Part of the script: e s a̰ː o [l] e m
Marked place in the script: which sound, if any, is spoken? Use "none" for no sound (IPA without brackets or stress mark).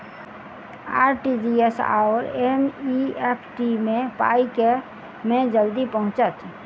ɾ